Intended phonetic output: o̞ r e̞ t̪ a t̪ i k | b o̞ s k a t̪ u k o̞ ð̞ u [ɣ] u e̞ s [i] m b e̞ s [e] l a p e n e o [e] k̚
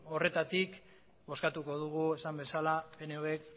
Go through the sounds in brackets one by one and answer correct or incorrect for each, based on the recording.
correct, incorrect: a, incorrect: a, correct

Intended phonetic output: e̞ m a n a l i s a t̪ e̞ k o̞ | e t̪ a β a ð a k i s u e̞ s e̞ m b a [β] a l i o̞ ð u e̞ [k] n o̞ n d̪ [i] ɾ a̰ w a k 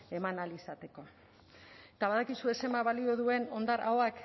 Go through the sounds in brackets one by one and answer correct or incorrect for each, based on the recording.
correct, incorrect: none, incorrect: a

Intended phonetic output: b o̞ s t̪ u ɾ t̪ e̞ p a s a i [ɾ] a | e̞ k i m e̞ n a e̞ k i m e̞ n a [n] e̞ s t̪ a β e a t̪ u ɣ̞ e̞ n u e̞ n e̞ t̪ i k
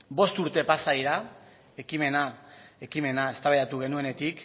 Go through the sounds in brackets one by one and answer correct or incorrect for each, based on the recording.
correct, incorrect: none

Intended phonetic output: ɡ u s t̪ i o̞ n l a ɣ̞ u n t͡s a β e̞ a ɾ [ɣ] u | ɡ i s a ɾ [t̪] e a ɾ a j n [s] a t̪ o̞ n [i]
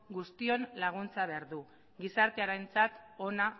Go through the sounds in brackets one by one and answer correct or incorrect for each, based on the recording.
incorrect: ð, correct, incorrect: t͡s, incorrect: a

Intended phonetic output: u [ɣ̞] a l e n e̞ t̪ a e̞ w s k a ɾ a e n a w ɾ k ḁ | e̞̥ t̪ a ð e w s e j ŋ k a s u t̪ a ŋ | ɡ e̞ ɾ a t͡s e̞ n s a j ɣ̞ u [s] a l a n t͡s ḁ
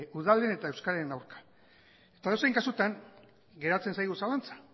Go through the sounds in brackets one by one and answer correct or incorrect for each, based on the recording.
incorrect: ð̞, correct

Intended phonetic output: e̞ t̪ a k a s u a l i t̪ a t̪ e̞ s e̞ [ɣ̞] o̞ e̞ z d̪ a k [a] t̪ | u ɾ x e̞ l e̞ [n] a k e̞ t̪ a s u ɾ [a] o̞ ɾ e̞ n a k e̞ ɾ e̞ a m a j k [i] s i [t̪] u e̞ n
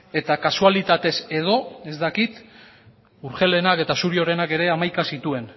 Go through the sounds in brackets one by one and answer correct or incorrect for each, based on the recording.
incorrect: ð̞, incorrect: i, correct, incorrect: i, incorrect: a, correct

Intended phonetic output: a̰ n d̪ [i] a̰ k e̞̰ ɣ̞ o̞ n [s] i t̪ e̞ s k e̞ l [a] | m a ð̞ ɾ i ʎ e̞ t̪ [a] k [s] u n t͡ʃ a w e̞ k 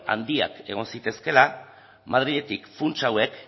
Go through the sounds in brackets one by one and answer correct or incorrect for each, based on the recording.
correct, correct, correct, incorrect: i, incorrect: f

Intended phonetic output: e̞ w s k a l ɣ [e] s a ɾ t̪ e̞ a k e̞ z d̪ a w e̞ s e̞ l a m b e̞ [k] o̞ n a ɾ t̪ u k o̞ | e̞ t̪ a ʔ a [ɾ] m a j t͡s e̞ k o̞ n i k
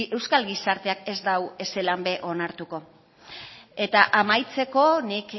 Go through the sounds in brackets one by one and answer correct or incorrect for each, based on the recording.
incorrect: i, incorrect: ʔ, incorrect: none

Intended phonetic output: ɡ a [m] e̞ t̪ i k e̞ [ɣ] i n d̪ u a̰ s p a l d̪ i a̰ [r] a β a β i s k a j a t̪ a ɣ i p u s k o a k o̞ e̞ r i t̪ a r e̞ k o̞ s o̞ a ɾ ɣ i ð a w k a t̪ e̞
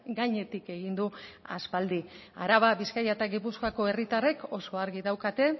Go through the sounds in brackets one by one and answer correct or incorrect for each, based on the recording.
incorrect: ɲ, correct, incorrect: ɾ

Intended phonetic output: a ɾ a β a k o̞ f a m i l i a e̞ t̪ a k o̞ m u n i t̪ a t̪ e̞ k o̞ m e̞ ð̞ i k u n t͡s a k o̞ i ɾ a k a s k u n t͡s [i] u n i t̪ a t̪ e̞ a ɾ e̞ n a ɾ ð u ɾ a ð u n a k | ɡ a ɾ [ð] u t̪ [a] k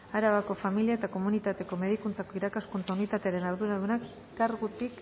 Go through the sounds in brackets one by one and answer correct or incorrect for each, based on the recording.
incorrect: a, incorrect: ɣ, incorrect: i

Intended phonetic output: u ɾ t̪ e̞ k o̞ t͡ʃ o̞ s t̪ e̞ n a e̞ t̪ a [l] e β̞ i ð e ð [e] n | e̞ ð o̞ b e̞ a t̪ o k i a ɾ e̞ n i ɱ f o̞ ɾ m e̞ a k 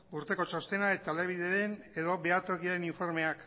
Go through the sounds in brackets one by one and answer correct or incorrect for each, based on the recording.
correct, correct

